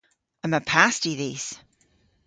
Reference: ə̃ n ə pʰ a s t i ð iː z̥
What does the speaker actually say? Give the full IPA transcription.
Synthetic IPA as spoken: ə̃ m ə pʰ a s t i ð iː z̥